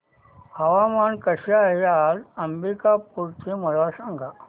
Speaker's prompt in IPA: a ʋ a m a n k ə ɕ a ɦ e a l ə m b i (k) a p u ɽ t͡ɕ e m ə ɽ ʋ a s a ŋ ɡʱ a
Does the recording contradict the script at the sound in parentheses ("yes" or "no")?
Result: no